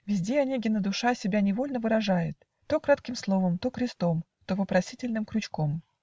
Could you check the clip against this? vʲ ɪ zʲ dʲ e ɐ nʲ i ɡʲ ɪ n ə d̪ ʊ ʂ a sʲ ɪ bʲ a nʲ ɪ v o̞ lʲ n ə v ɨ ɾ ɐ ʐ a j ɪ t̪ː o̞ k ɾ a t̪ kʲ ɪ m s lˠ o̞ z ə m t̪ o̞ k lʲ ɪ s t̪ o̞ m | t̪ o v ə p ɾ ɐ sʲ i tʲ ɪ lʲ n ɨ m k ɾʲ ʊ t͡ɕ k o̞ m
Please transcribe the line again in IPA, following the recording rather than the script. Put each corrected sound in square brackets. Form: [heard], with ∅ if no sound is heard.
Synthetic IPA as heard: vʲ ɪ zʲ dʲ e ɐ nʲ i ɡʲ ɪ n ə d̪ ʊ ʂ a sʲ ɪ bʲ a nʲ ɪ v o̞ lʲ n ə v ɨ ɾ ɐ ʐ a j ɪ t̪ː o̞ k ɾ a t̪ kʲ ɪ m s lˠ o̞ [v] ə m t̪ o̞ k [ɾʲ] ɪ s t̪ o̞ m | t̪ o v ə p ɾ ɐ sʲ i tʲ ɪ lʲ n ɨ m k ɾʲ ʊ t͡ɕ k o̞ m

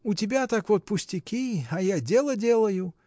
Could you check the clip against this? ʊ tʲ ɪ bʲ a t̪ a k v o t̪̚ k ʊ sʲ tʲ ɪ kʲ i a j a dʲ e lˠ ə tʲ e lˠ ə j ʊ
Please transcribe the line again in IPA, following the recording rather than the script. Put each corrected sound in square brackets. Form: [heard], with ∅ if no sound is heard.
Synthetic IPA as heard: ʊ tʲ ɪ bʲ a t̪ a k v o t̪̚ [p] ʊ sʲ tʲ ɪ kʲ i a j a dʲ e lˠ ə [dʲ] e lˠ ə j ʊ

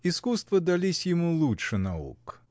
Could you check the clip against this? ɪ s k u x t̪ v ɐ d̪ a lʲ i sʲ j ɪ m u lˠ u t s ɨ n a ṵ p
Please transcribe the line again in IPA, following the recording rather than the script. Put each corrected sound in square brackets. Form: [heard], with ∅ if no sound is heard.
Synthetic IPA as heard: [i] s k u [s] t̪ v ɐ d̪ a lʲ i sʲ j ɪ m u lˠ u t [ʂ] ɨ n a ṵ [k]

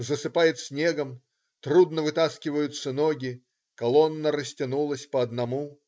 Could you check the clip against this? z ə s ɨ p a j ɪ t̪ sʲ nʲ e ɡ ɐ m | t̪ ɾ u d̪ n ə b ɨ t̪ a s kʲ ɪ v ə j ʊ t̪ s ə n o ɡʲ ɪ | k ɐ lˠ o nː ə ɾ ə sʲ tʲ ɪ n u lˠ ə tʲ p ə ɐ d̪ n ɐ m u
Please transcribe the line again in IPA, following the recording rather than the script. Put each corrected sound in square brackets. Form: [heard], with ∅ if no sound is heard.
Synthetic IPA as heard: z ə s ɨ p a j ɪ t̪ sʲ nʲ e ɡ [ə] m | t̪ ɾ u d̪ n ə [v] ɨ t̪ a s kʲ ɪ v ə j ʊ t̪ s ə n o ɡʲ ɪ | k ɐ lˠ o nː ə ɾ ə sʲ tʲ ɪ n u lˠ ə [sʲ] p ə ɐ d̪ n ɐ m u

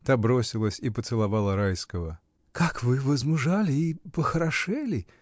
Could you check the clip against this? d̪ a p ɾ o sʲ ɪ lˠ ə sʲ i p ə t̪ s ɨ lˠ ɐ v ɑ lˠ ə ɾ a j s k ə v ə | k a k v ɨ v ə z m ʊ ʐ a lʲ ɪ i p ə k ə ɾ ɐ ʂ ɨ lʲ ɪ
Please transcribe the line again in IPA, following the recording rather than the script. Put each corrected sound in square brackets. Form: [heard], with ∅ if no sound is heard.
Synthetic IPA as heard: [t̪] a [b] ɾ o sʲ ɪ lˠ ə sʲ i p ə t̪ s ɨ lˠ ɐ v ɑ lˠ ə ɾ a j s k ə v ə | k a k v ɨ v ə z m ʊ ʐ a lʲ ɪ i p ə [x] ə ɾ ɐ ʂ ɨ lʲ ɪ

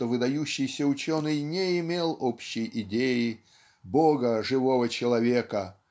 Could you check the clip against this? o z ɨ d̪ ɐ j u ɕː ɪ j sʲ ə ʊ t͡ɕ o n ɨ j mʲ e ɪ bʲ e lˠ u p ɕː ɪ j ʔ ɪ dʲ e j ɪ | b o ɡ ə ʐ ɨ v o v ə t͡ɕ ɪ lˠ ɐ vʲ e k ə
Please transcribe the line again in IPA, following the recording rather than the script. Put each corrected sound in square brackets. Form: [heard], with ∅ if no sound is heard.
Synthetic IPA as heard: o [v] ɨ d̪ ɐ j u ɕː ɪ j sʲ ə ʊ t͡ɕ o n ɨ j [nʲ] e ɪ [mʲ] e lˠ [o] p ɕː ɪ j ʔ ɪ dʲ e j ɪ | b o ɡ ə ʐ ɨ v o v ə t͡ɕ ɪ lˠ ɐ vʲ e k ə

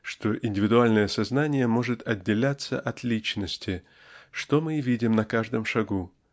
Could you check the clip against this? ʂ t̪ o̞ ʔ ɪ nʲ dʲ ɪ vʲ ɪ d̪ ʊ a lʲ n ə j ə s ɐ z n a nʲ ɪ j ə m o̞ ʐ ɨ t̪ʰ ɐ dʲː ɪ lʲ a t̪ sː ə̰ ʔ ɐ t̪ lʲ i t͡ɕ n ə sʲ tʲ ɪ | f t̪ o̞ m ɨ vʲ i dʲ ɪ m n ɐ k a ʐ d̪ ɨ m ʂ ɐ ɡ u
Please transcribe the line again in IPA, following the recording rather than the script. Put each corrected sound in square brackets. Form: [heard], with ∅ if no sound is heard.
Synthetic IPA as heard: ʂ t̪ o̞ ʔ ɪ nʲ dʲ ɪ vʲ ɪ d̪ ʊ a lʲ n ə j ə s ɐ z n a nʲ ɪ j ə m o̞ ʐ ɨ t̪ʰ ɐ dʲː ɪ lʲ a t̪ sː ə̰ ʔ ɐ t̪ lʲ i t͡ɕ n ə sʲ tʲ ɪ | [ʂ] t̪ o̞ m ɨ vʲ i dʲ ɪ m n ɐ k a ʐ d̪ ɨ m ʂ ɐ ɡ u

